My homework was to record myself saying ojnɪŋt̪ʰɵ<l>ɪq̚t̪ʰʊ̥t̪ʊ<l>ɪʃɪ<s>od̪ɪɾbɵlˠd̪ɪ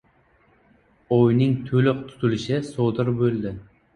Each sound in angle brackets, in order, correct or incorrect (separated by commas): correct, correct, correct